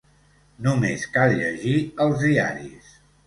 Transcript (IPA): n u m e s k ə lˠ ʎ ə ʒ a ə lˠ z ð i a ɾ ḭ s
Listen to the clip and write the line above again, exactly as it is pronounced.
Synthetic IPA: n u m e s k a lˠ ʎ ə ʒ i ə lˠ z ð i a ɾ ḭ s